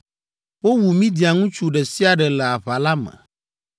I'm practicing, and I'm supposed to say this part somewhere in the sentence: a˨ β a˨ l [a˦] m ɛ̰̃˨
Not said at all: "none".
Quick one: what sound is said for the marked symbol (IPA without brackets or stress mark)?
a˦